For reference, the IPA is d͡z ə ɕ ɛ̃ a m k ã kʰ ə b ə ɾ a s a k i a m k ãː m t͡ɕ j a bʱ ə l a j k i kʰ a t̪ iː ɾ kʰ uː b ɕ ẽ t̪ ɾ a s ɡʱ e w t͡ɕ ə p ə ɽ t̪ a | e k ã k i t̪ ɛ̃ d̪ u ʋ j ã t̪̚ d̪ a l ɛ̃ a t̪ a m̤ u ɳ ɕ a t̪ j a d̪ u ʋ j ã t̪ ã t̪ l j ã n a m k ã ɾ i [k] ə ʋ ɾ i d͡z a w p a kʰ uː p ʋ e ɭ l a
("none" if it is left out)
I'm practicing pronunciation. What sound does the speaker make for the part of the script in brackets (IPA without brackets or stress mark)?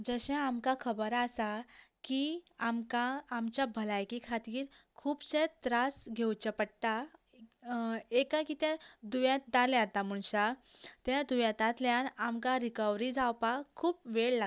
k